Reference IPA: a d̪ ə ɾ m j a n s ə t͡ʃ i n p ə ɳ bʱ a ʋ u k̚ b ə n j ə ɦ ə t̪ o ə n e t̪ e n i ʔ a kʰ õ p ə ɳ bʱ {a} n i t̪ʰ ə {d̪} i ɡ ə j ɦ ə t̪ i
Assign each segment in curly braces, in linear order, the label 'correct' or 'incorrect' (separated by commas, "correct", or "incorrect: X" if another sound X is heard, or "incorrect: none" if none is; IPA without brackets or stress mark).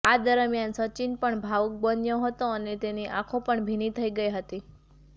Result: incorrect: i, incorrect: none